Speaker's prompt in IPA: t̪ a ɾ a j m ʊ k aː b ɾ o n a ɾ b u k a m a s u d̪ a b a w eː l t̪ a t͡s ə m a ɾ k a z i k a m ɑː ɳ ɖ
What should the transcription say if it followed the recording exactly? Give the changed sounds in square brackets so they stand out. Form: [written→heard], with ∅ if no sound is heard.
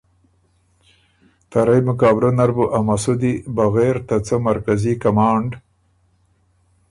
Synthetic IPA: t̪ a ɾ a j m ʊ k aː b ɾ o n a ɾ b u [k→ʔ] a m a s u d̪ [a→i] b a [w→ɣ] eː [l→ɾ] t̪ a t͡s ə m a ɾ k a z i k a m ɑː ɳ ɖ